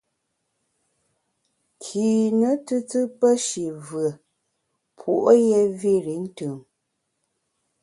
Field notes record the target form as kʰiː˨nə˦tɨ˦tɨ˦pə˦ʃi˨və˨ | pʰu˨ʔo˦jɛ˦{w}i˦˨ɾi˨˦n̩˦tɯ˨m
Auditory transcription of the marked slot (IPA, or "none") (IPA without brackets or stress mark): v